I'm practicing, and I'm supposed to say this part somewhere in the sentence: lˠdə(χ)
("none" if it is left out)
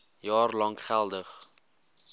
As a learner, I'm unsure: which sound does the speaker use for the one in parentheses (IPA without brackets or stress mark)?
χ